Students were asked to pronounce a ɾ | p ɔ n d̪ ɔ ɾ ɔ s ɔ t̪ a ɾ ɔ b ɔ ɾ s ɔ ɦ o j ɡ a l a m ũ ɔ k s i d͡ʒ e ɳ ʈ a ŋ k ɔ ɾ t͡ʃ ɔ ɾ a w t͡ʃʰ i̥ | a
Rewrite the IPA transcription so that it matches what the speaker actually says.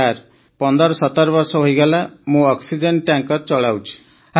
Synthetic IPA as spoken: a ɾ | p ɔ n d̪ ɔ ɾ ɔ s ɔ t̪ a ɾ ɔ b ɔ ɾ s ɔ ɦ o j ɡ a l a m ũ ɔ k s i d͡ʒ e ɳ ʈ a ŋ k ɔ ɾ t͡ʃ ɔ ɭ a w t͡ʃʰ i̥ | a

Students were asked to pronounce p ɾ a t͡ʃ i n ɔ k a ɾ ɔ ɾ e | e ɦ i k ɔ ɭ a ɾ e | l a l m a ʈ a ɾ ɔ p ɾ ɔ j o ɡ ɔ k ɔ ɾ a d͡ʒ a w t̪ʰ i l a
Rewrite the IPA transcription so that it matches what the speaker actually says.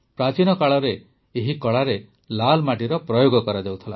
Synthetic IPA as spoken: p ɾ a t͡ʃ i n ɔ k a ɭ ɔ ɾ e | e ɦ i k ɔ ɭ a ɾ e | l a l m a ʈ i ɾ ɔ p ɾ ɔ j o ɡ ɔ k ɔ ɾ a d͡ʒ a w t̪ʰ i l a

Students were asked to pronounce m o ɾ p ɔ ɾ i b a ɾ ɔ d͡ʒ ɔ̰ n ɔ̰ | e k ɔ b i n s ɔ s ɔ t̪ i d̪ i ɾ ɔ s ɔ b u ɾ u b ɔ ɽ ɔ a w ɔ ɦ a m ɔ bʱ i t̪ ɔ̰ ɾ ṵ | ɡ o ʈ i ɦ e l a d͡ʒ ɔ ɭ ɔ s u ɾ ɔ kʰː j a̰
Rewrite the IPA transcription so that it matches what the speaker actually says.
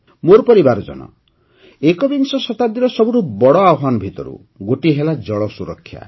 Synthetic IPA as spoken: m o ɾ p ɔ ɾ i b a ɾ ɔ d͡ʒ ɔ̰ n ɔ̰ | e k ɔ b i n s ɔ s ɔ t̪ a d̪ i ɾ ɔ s ɔ b u ɾ u b ɔ ɽ ɔ a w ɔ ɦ a n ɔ bʱ i t̪ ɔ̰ ɾ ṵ | ɡ o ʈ i ɦ e l a d͡ʒ ɔ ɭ ɔ s u ɾ ɔ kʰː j a̰

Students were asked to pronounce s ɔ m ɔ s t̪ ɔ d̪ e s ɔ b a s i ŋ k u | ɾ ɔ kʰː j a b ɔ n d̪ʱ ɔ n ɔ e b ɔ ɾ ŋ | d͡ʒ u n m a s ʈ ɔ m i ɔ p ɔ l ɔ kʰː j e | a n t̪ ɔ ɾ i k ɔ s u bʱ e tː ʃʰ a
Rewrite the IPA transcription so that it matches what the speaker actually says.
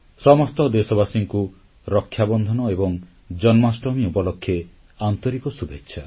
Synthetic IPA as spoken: s ɔ m ɔ s t̪ ɔ d̪ e s ɔ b a s i ŋ k u | ɾ ɔ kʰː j a b ɔ n d̪ʱ ɔ n ɔ e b ɔ ŋ | d͡ʒ ɔ n m a s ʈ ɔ m i u p ɔ l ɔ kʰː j e | a n t̪ ɔ ɾ i k ɔ s u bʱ e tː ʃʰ a

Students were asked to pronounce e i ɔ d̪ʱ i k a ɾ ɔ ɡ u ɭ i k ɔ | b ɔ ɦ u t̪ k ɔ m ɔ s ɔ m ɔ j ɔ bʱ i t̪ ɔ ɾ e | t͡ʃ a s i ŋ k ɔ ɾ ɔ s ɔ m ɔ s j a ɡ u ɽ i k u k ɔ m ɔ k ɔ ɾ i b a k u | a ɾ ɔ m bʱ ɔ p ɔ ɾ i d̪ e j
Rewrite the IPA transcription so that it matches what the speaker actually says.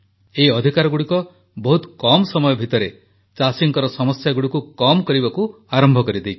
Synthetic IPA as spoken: e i ɔ d̪ʱ i k a ɾ ɔ ɡ u ɽ i k ɔ | b ɔ ɦ u t̪ k ɔ m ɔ s ɔ m ɔ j ɔ bʱ i t̪ ɔ ɾ e | t͡ʃ a s i ŋ k ɔ ɾ ɔ s ɔ m ɔ s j a ɡ u ɽ i k u k ɔ m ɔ k ɔ ɾ i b a k u | a ɾ ɔ m bʱ ɔ k ɔ ɾ i d̪ e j

